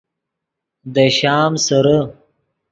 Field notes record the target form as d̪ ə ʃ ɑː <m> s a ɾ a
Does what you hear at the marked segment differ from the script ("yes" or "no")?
no